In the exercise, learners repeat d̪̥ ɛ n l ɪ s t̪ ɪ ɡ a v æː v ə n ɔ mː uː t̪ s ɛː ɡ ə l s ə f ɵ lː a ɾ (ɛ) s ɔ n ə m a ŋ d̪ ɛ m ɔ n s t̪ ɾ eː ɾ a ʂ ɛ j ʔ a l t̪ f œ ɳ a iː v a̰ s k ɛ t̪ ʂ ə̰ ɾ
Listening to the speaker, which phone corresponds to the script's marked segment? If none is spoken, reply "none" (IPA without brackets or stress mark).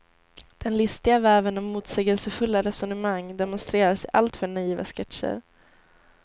ɛ